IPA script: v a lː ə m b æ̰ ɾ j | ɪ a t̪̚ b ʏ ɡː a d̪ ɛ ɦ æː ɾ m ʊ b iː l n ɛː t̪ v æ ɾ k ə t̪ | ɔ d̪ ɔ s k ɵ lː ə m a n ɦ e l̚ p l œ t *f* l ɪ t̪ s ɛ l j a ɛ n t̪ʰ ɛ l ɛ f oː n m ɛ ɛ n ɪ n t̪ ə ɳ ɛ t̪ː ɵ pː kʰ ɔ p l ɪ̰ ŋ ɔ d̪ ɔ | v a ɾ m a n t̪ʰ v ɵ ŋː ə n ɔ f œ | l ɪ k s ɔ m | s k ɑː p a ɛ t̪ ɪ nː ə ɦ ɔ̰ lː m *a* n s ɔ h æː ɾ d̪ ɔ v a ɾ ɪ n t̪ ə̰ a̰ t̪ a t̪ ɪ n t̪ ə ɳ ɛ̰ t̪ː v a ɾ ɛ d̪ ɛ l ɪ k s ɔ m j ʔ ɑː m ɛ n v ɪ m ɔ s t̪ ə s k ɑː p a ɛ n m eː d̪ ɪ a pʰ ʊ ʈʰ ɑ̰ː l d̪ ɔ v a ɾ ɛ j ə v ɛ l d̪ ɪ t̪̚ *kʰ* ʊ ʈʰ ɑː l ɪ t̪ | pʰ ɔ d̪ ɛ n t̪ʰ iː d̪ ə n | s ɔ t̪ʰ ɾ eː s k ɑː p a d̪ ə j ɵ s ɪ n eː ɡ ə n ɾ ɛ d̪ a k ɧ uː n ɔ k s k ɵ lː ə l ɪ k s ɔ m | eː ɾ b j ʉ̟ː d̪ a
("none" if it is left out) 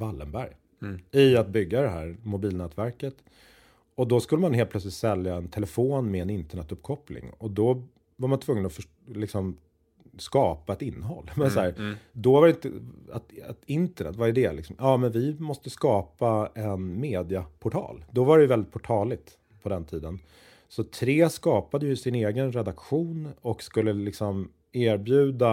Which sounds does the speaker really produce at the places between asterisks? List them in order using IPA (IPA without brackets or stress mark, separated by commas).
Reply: s, ɛ, pʰ